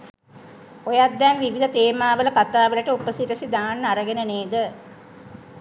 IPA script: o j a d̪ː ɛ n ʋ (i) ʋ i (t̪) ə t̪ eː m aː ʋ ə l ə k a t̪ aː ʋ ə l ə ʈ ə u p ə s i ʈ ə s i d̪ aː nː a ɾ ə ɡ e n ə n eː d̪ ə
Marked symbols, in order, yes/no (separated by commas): yes, no